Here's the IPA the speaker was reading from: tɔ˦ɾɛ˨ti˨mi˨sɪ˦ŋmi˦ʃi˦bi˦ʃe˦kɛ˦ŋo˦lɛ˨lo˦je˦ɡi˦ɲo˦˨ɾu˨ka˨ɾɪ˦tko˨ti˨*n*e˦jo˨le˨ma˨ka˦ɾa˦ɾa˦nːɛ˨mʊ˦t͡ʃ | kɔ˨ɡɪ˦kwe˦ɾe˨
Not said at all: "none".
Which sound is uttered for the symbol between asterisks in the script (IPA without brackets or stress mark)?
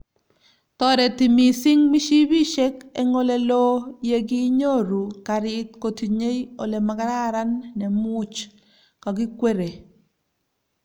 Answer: ɲ